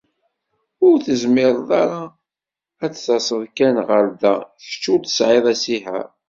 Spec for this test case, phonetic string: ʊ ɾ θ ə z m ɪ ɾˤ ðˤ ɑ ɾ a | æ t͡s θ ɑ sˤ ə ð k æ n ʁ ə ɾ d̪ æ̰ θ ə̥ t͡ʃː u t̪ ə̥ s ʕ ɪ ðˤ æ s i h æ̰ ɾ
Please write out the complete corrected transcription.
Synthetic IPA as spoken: ʊ ɾ θ ə z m ɪ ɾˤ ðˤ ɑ ɾ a | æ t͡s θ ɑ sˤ ə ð k æ n ʁ ə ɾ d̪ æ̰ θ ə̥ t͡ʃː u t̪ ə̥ s ʕ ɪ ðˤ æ s i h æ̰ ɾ